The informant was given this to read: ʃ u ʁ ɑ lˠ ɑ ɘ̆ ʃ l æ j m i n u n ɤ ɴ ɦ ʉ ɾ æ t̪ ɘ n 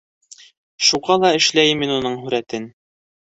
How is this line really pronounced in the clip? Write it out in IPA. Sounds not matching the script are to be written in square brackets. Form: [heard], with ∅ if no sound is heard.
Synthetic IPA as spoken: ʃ u ʁ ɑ lˠ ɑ ɘ̆ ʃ l æ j m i n u n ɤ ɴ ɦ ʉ ɾ æ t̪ ɘ n